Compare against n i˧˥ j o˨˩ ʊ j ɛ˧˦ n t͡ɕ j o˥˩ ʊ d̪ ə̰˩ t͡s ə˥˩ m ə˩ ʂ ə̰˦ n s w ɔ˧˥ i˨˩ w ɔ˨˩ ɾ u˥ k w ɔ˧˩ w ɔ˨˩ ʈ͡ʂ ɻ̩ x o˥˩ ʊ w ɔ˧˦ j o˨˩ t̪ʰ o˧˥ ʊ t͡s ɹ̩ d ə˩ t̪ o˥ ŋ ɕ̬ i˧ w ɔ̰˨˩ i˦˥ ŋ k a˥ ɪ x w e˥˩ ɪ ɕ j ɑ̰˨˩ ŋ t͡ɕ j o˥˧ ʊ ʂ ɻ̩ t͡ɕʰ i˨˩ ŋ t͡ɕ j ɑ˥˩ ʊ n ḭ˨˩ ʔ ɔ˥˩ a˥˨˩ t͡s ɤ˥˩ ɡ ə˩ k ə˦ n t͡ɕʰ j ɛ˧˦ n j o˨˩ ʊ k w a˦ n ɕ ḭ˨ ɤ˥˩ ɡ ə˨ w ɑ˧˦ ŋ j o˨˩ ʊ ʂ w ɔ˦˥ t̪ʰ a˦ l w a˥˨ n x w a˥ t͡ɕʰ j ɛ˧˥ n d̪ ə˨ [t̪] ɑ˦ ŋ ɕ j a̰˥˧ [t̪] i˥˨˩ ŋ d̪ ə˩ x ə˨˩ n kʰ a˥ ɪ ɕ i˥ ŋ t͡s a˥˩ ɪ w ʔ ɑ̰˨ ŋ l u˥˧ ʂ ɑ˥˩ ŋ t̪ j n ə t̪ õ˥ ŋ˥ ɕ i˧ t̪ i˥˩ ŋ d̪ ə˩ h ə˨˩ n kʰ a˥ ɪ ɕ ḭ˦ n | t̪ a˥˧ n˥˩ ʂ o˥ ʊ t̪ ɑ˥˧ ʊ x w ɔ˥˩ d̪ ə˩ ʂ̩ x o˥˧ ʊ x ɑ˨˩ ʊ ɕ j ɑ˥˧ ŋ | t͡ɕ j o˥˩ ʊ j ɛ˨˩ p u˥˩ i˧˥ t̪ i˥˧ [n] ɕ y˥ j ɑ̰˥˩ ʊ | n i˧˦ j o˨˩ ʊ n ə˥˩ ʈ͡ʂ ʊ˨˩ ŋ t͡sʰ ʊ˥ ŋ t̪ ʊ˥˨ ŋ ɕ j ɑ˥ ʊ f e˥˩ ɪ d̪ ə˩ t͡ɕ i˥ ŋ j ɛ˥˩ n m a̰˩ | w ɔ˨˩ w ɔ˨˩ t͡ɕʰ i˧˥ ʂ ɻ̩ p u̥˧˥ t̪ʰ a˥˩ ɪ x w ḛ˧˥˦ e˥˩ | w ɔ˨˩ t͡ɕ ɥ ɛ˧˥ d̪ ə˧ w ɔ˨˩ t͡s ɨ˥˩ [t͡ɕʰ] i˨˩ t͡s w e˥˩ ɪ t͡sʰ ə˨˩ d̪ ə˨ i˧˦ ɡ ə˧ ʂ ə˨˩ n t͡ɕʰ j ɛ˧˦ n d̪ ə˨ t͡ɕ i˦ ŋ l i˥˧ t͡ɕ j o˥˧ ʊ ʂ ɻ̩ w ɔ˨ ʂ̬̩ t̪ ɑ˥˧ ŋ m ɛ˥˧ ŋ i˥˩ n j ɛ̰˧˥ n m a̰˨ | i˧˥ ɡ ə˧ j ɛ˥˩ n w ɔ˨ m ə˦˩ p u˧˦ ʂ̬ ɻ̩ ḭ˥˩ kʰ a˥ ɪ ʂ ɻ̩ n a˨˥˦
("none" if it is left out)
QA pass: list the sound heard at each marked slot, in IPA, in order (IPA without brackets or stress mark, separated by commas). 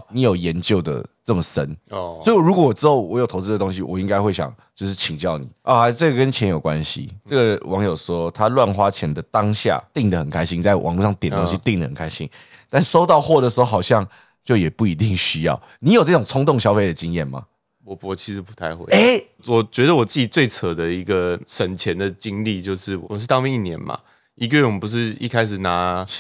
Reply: t̪, t̪, ŋ, t͡ɕ